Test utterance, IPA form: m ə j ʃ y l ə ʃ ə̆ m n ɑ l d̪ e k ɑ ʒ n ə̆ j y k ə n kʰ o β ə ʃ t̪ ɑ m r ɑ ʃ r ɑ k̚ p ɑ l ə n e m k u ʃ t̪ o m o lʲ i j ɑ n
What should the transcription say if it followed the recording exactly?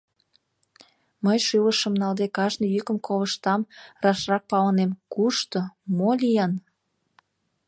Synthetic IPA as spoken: m ə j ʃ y l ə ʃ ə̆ m n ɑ l d̪ e k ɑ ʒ n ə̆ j y k ə m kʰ o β ə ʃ t̪ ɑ m r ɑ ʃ r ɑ k̚ p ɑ l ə n e m k u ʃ t̪ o m o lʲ i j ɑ n